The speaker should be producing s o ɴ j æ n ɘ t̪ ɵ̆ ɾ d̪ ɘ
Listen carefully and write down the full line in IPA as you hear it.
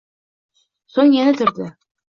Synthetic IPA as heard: s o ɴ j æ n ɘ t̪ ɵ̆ ɾ d̪ ɘ